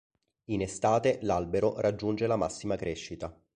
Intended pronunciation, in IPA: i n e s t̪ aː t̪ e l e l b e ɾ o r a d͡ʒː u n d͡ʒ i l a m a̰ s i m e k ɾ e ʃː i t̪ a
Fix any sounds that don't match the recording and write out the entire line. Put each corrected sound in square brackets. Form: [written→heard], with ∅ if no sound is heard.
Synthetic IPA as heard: i n e s t̪ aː t̪ e l [e→a] l b e ɾ o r a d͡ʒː u n d͡ʒ [i→e] l a m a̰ [s→sː] i m [e→a] k ɾ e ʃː i t̪ a

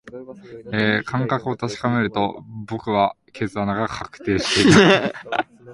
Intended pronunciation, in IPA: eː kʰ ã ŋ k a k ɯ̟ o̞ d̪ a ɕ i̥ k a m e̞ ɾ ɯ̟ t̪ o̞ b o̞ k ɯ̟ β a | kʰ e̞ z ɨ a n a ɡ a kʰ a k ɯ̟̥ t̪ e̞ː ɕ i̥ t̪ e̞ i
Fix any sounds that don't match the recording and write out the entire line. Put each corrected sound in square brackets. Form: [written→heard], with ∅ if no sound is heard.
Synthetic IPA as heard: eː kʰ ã ŋ k a k ɯ̟ o̞ [d̪→t̪] a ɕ i̥ k a m e̞ ɾ ɯ̟ t̪ o̞ b o̞ k ɯ̟ β a | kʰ e̞ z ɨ a n a ɡ a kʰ a k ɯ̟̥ t̪ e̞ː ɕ i̥ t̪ e̞ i

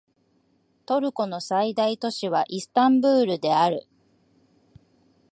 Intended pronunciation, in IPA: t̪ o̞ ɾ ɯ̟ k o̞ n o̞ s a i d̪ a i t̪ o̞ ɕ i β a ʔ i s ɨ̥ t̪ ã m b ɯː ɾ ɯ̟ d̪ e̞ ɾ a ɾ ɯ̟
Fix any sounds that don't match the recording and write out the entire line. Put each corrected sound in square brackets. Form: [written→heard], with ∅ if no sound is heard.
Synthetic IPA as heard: t̪ o̞ ɾ ɯ̟ k o̞ n o̞ s a i d̪ a i t̪ o̞ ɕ i β a ʔ i s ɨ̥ t̪ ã m b ɯː ɾ ɯ̟ d̪ e̞ [ɾ→∅] a ɾ ɯ̟

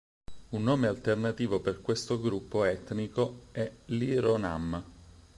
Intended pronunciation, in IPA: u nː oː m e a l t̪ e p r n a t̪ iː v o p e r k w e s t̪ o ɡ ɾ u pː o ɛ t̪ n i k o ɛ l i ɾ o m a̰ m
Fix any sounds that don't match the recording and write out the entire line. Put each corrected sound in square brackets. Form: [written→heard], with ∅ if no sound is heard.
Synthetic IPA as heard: u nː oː m e a l t̪ e [p→∅] r n a t̪ iː v o p e r k w e s t̪ o ɡ ɾ u pː o ɛ t̪ n i k o ɛ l i ɾ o [m→n] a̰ m

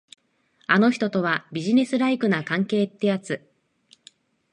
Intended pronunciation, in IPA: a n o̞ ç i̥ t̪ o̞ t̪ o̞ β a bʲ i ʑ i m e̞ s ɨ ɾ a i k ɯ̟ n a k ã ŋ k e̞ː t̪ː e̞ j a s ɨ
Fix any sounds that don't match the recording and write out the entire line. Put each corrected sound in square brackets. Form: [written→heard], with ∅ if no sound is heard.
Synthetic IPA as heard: a n o̞ ç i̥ t̪ o̞ t̪ o̞ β a bʲ i ʑ i [m→n] e̞ s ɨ ɾ a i k ɯ̟ n a k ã ŋ k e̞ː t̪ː e̞ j a [s→t͡s] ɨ

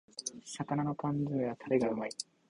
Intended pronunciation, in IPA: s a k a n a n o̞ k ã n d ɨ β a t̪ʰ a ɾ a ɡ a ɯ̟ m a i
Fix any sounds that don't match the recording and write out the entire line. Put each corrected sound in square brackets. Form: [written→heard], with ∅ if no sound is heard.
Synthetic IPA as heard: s a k a n a n o̞ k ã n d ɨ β a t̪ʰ a ɾ [a→e] ɡ a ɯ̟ m a i

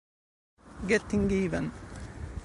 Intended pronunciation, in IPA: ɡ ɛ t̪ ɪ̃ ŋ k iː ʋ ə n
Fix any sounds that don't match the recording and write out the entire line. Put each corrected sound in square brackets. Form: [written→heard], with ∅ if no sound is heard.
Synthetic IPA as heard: ɡ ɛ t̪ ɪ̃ ŋ [k→ɡ] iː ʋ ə n

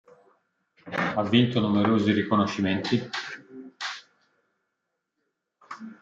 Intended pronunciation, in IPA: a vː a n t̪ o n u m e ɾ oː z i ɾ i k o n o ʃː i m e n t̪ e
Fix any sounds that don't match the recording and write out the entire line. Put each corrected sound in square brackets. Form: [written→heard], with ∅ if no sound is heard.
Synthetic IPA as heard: a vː [a→i] n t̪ o n u m e ɾ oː z i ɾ i k o n o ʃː i m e n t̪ [e→i]

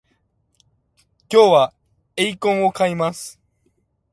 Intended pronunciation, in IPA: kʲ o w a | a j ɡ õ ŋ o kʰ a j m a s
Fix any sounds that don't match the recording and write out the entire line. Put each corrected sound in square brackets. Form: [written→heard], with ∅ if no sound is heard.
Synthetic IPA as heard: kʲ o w a | [a→e] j [ɡ→k] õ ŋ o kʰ a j m a s

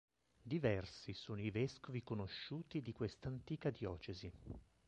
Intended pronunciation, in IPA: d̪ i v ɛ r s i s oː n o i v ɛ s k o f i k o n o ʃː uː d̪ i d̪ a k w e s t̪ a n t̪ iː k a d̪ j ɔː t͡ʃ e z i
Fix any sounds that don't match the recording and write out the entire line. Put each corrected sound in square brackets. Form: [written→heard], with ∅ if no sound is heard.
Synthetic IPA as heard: d̪ i v ɛ r s i s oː n o i v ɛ s k o [f→v] i k o n o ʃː uː [d̪→t̪] i d̪ [a→i] k w e s t̪ a n t̪ iː k a d̪ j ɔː t͡ʃ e z i

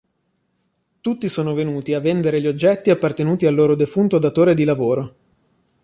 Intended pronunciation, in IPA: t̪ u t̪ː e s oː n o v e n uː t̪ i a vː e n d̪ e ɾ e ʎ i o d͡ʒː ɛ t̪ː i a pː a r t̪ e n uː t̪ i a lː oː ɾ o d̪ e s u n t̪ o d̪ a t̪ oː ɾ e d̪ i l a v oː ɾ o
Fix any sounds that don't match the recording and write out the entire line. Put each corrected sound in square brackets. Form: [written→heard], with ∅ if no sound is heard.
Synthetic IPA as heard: t̪ u t̪ː [e→i] s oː n o v e n uː t̪ i a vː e n d̪ e ɾ e ʎ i o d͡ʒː ɛ t̪ː i a pː a r t̪ e n uː t̪ i a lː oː ɾ o d̪ e [s→f] u n t̪ o d̪ a t̪ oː ɾ e d̪ i l a v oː ɾ o

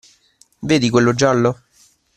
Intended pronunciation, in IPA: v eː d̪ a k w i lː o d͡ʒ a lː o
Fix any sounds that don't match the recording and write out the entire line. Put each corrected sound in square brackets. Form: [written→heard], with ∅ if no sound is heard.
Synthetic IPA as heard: v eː d̪ [a→i] k w [i→e] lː o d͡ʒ a lː o

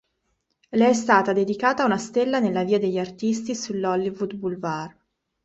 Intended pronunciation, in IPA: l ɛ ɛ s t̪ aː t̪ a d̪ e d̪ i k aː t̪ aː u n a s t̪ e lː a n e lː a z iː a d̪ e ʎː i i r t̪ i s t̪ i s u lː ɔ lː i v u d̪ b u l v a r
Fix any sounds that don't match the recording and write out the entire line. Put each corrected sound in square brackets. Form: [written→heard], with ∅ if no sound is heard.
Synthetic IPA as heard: l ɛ ɛ s t̪ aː t̪ a d̪ e d̪ i k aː t̪ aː u n a s t̪ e lː a n e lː a [z→v] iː a d̪ e ʎː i [i→a] r t̪ i s t̪ i s u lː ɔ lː i v u d̪ b u l v a r

